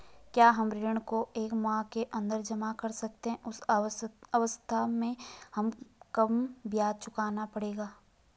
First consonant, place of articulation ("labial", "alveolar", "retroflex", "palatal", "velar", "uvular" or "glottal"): velar